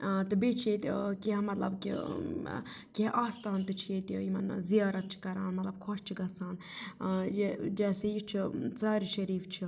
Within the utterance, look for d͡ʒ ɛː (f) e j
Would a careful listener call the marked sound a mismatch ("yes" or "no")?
yes